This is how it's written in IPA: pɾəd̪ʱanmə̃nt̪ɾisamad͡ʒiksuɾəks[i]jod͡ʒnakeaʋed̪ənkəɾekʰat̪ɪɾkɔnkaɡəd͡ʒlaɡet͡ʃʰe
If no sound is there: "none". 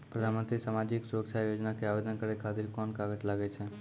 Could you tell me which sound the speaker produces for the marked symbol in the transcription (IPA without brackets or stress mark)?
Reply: a